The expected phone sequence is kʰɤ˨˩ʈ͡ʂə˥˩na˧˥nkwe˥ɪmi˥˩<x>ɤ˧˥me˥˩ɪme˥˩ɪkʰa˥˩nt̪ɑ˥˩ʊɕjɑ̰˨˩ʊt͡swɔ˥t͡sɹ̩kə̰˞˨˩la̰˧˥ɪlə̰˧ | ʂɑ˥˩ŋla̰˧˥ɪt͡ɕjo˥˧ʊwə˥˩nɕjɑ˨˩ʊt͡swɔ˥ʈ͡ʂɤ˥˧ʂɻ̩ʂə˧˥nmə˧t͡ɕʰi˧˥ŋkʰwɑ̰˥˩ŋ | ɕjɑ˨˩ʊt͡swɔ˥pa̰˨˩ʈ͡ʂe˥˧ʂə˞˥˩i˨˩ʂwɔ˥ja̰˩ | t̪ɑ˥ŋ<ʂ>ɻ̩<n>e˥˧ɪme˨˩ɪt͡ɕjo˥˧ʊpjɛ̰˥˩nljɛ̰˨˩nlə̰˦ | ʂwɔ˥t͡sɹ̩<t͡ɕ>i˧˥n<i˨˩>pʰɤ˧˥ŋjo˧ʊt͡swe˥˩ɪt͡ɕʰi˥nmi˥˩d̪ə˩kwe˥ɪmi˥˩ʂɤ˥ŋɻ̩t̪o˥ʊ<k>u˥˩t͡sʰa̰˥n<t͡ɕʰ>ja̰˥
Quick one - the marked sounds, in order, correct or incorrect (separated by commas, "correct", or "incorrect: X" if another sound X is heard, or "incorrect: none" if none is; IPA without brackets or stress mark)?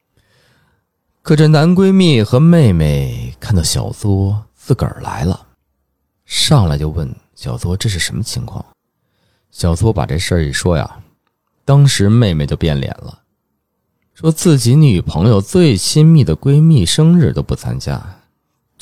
correct, correct, incorrect: m, correct, incorrect: y˨˩, incorrect: p, incorrect: t͡ɕ